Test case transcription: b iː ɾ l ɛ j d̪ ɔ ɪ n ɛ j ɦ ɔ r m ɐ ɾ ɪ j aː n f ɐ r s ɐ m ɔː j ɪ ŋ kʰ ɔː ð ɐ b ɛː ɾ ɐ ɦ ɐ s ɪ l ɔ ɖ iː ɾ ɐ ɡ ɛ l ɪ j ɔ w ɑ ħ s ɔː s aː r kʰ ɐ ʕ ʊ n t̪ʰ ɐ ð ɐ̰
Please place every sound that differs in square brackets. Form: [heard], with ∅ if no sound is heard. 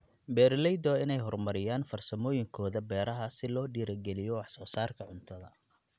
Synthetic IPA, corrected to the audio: b [ɛː] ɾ l ɛ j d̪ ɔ ɪ n ɛ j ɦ ɔ r m ɐ ɾ ɪ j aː n f ɐ r s ɐ m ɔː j ɪ ŋ kʰ ɔː ð ɐ b ɛː ɾ ɐ ɦ ɐ s ɪ l [ɔː] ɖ iː ɾ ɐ ɡ ɛ l ɪ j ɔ w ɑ ħ s ɔː s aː r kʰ ɐ ʕ ʊ n t̪ʰ ɐ ð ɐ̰